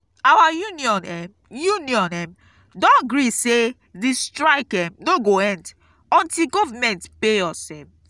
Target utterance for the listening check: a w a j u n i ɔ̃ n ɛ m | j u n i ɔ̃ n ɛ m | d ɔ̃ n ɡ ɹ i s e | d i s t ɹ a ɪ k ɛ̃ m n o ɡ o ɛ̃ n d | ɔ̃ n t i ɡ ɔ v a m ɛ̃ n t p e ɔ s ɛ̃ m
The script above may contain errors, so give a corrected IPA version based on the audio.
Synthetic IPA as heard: a w a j u n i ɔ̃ n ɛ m | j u n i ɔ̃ n ɛ m | d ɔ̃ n ɡ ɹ i s e | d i s t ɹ a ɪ k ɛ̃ m n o ɡ o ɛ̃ n d | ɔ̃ n t i ɡ ɔ v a m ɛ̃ n t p e ɔ s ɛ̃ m